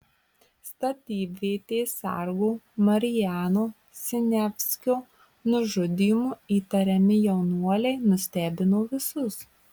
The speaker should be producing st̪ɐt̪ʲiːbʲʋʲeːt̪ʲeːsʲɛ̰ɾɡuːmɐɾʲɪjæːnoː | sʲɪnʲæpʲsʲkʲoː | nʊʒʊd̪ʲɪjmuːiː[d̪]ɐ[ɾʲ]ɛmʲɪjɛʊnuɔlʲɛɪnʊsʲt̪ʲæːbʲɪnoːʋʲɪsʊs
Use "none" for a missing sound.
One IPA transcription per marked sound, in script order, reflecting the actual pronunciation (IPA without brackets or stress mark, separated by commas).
t̪, ɾʲ